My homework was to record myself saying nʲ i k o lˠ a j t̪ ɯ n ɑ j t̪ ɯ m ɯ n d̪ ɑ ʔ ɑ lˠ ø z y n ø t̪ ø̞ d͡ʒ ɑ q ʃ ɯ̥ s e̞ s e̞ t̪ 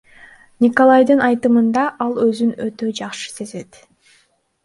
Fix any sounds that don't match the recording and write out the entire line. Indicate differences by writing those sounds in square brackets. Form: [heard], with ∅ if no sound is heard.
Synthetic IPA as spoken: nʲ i k o lˠ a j [d̪] ɯ n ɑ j t̪ ɯ m ɯ n d̪ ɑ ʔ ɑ lˠ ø z y n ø t̪ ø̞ d͡ʒ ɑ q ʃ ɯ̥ s e̞ [z] e̞ t̪